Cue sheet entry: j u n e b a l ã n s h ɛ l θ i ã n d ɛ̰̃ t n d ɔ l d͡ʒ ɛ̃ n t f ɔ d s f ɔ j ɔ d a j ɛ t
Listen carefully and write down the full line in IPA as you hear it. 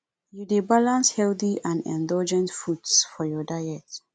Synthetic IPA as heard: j u d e b a l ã n s h ɛ l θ i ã n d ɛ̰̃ n d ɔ l d͡ʒ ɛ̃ n t f u d s f ɔ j ɔ d a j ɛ t